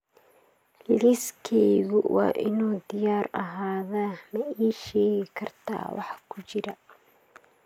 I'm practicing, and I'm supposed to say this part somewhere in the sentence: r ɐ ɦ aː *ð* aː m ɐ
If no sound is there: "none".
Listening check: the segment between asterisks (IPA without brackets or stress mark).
ð